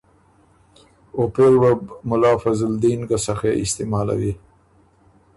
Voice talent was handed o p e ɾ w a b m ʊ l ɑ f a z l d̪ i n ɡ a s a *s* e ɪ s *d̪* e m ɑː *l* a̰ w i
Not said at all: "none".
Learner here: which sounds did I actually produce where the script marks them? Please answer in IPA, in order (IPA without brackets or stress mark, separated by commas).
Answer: x, t̪, l